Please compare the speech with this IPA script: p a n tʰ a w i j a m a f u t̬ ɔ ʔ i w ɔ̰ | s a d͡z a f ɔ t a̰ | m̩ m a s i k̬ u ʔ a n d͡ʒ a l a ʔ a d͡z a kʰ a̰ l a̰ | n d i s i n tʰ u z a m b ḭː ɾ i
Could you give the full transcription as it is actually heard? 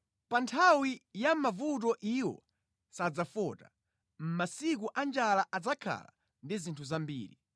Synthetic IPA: p a n tʰ a w i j a m a v u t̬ ɔ ʔ i w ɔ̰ | s a d͡z a f ɔ t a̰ | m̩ m a s i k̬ u ʔ a n d͡ʒ a l a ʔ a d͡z a kʰ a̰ l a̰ | n d i z i n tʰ u z a m b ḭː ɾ i